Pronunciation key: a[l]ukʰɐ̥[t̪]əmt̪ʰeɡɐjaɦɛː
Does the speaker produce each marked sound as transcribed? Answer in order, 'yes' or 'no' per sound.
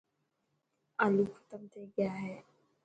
yes, yes

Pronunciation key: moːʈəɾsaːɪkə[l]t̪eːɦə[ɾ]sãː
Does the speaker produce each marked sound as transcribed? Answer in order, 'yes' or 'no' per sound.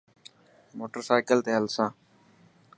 yes, no

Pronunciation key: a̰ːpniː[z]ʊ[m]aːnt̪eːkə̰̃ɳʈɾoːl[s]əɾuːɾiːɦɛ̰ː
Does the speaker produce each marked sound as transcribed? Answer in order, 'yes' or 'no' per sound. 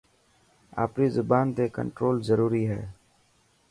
yes, no, no

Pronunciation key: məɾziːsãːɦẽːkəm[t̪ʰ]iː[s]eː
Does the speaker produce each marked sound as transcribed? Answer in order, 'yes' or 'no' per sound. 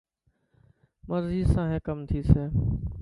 yes, yes

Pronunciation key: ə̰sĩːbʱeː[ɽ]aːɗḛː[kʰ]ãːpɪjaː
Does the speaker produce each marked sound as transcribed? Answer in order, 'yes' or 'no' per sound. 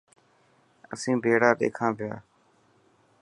yes, yes

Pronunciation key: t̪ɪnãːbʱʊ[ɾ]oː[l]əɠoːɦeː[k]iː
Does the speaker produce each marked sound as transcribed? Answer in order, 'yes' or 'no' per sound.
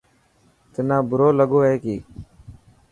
yes, yes, yes

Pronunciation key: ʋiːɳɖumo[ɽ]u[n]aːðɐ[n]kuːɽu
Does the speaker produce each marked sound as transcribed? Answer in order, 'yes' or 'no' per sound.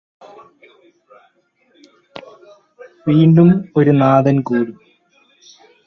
no, yes, yes

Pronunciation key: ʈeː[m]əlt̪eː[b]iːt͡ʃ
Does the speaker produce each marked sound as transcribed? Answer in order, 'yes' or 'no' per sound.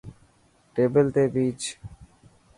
no, yes

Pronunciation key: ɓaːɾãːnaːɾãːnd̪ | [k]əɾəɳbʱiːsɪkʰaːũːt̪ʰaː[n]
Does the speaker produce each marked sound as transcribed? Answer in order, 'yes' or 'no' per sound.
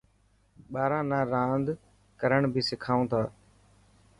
yes, no

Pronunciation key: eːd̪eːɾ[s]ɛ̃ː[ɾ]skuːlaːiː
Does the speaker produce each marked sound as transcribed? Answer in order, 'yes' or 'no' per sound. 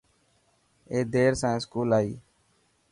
yes, no

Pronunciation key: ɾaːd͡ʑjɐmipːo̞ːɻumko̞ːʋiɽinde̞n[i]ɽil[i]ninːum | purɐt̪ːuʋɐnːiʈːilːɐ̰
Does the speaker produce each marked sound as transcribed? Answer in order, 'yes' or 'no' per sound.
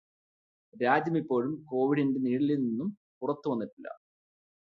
no, yes

